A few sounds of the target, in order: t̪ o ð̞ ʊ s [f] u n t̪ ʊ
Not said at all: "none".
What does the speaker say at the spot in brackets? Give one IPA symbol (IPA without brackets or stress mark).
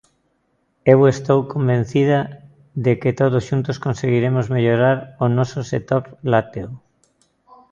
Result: ʃ